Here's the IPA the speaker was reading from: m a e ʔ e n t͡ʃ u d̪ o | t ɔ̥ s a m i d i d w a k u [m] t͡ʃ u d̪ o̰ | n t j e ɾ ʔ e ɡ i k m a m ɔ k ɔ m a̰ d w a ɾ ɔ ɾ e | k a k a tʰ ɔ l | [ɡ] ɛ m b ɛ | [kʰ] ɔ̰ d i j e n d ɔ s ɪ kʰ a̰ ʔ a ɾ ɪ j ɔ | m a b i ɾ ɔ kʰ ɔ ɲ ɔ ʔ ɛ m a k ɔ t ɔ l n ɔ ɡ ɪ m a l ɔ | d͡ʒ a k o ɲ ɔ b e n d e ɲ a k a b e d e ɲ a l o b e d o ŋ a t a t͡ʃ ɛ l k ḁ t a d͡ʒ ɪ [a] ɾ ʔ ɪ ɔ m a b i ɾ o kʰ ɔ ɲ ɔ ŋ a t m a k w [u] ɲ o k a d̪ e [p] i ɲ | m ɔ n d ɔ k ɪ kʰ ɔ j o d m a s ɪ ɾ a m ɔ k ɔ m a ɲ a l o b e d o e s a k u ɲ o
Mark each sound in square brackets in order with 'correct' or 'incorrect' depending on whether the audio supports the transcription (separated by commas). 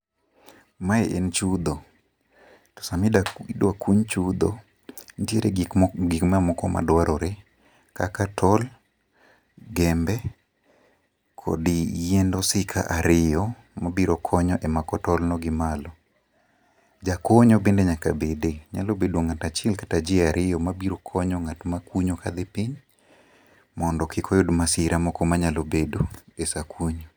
incorrect, correct, correct, correct, correct, correct